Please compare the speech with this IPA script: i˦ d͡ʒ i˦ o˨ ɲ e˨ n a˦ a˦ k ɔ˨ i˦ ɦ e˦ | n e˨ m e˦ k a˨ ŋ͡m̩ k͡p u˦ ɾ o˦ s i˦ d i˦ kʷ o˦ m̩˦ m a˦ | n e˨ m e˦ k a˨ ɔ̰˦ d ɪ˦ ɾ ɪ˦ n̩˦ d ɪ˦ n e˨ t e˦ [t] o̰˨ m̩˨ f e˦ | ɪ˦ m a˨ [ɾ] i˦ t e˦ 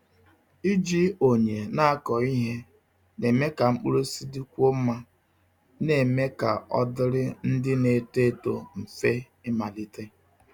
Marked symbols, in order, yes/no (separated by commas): yes, no